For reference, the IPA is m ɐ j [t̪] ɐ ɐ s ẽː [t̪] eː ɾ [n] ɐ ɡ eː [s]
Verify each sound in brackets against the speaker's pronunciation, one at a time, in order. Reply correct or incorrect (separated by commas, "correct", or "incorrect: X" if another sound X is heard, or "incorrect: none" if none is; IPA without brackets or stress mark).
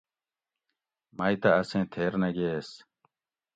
correct, incorrect: t̪ʰ, correct, correct